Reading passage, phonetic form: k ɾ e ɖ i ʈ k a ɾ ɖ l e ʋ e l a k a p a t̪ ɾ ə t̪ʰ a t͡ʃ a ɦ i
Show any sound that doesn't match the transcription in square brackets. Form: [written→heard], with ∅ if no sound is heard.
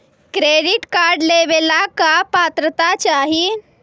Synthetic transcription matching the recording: k ɾ e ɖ i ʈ k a ɾ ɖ l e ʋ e l a k a p a t̪ ɾ ə [t̪ʰ→t̪] a t͡ʃ a ɦ i

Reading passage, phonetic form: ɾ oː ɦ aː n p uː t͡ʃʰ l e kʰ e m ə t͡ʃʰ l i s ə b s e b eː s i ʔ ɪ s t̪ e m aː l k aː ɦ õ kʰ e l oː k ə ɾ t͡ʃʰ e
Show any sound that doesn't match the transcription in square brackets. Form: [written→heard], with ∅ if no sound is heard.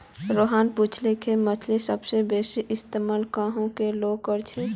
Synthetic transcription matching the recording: ɾ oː ɦ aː n p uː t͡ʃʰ l e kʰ e m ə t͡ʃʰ l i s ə b s e b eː s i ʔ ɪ s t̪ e m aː l k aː ɦ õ [kʰ→k] e l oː k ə ɾ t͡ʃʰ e

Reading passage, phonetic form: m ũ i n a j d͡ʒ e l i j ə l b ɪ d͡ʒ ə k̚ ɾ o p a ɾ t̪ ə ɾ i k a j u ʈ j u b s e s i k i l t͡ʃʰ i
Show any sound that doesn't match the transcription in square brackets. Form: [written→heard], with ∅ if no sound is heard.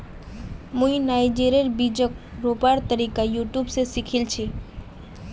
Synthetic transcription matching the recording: m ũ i n a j d͡ʒ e [l→ɾ] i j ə [l→ɾ] b [ɪ→i] d͡ʒ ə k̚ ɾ o p a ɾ t̪ ə ɾ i k a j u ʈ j u b s e s i [k→kʰ] i l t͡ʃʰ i

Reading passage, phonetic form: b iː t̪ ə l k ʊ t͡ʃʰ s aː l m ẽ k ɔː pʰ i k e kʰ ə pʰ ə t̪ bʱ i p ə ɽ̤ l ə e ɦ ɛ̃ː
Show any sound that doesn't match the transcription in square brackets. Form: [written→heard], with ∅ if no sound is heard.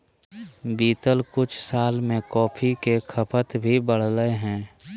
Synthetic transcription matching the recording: b iː t̪ ə l k ʊ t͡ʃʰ s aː l m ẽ k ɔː pʰ i k e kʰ ə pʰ ə t̪ bʱ i [p→b] ə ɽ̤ l ə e ɦ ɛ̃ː

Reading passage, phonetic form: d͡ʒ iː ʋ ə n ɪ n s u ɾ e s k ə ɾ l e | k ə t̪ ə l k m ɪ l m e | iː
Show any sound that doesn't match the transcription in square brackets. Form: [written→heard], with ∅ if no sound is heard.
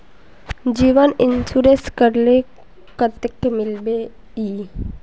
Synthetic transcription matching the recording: d͡ʒ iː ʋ ə n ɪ n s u ɾ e s k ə ɾ l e | k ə t̪ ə [l→∅] k m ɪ l [m→b] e | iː

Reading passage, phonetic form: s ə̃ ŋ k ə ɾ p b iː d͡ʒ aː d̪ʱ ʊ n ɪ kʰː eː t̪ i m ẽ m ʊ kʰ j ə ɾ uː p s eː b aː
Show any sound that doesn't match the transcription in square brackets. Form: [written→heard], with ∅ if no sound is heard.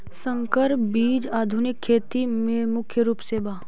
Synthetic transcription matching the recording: s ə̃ ŋ k ə ɾ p b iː d͡ʒ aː d̪ʱ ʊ n ɪ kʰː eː t̪ i m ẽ m ʊ kʰ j ə ɾ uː p s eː b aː

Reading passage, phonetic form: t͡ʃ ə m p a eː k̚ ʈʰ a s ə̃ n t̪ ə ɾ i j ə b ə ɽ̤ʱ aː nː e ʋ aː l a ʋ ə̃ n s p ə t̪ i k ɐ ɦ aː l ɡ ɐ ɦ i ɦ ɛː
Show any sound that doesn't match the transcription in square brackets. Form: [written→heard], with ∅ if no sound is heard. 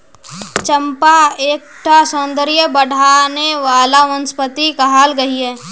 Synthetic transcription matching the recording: t͡ʃ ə m p a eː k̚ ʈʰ a s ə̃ n [t̪→d̪] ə ɾ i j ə b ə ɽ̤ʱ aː [nː→n] e ʋ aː l a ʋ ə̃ n s p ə t̪ i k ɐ ɦ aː l ɡ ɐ ɦ i ɦ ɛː

